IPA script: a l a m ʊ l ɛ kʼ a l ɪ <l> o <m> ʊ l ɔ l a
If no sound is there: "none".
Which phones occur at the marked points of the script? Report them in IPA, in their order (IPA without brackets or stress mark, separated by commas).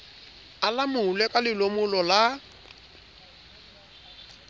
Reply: l, m